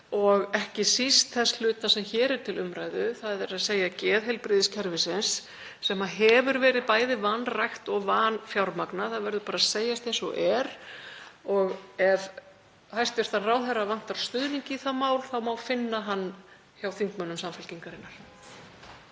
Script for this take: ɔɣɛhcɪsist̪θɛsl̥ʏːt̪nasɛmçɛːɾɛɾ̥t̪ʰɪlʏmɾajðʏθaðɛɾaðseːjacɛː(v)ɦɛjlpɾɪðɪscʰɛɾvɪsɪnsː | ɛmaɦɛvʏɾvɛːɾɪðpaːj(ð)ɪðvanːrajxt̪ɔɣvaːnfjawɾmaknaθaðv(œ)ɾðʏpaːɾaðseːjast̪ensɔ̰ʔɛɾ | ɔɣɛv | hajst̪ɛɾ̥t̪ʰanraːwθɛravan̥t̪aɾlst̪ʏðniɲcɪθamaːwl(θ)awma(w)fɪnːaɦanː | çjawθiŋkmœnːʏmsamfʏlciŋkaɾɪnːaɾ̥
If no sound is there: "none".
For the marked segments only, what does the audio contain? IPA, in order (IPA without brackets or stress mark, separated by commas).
ð, ð, ɛ, θ, w